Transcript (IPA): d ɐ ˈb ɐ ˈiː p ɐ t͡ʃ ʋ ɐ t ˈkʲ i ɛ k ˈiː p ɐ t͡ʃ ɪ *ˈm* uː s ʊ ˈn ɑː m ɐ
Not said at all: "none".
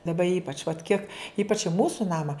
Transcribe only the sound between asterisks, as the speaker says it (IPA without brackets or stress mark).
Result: m